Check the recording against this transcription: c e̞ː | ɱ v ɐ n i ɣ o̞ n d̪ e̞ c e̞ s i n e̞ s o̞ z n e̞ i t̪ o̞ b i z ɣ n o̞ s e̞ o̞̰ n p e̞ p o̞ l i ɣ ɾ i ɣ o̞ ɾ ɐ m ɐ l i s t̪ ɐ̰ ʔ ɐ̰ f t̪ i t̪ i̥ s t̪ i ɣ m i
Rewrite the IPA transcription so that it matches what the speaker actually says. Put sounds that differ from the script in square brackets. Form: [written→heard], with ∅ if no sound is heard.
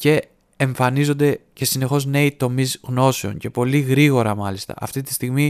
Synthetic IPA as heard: c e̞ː | ɱ [v→f] ɐ n i [ɣ→z] o̞ n d̪ e̞ c e̞ s i n e̞ [s→x] o̞ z n e̞ i t̪ o̞ [b→m] i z ɣ n o̞ s e̞ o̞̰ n [p→c] e̞ p o̞ l i ɣ ɾ i ɣ o̞ ɾ ɐ m ɐ l i s t̪ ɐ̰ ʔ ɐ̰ f t̪ i t̪ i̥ s t̪ i ɣ m i